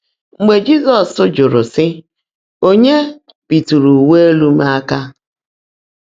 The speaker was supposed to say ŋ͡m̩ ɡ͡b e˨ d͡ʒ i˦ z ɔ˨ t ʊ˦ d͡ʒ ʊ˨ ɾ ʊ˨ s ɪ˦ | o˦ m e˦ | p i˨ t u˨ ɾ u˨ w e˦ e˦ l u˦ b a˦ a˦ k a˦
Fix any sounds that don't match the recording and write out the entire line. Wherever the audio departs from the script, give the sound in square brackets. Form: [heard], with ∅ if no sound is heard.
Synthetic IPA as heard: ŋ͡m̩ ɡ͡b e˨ d͡ʒ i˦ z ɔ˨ [s] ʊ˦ d͡ʒ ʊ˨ ɾ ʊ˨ s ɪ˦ | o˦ [ɲ] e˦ | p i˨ t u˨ ɾ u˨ w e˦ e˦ l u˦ [m] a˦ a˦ k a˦